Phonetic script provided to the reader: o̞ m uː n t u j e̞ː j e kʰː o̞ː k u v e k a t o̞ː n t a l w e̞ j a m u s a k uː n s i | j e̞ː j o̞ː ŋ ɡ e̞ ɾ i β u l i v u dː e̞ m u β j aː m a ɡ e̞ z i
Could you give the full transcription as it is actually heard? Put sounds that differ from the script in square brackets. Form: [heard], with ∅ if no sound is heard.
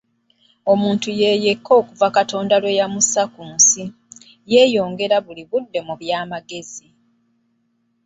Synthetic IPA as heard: o̞ m uː n t u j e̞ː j e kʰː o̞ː k u v [a] k a t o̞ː n [d] a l w e̞ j a m u s a k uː n s i | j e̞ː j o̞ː ŋ ɡ e̞ ɾ [a] β u l i [β] u dː e̞ m u β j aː m a ɡ e̞ z i